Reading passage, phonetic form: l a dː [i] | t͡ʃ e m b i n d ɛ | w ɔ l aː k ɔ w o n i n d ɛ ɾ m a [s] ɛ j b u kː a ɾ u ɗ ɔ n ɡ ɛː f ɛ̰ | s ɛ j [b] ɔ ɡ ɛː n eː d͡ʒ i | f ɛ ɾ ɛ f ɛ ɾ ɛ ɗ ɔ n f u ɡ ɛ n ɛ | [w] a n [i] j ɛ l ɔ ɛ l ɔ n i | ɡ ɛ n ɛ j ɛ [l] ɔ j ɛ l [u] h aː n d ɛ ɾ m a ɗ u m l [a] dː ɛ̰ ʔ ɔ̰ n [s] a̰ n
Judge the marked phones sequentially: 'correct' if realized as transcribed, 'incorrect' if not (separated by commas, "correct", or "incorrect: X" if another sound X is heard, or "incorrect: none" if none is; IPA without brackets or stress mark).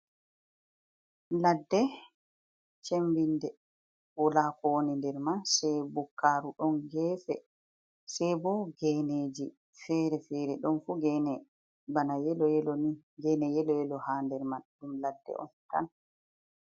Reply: incorrect: ɛ, correct, correct, incorrect: b, incorrect: a, correct, incorrect: ɔ, correct, incorrect: t